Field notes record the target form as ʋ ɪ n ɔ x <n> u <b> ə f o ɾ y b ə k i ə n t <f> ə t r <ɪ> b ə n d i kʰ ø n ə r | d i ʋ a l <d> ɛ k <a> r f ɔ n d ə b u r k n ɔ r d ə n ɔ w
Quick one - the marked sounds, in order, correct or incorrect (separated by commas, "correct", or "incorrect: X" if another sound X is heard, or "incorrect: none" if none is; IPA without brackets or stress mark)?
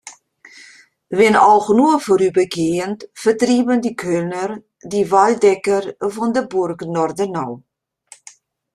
correct, incorrect: none, correct, incorrect: i, correct, incorrect: ə